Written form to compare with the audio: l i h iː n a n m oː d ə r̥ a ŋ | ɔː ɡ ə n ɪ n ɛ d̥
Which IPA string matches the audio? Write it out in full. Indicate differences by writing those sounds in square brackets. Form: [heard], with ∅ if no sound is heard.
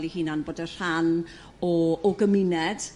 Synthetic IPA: l i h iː n a n [b] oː d ə r̥ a [n] | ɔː ɡ ə [m] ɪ n ɛ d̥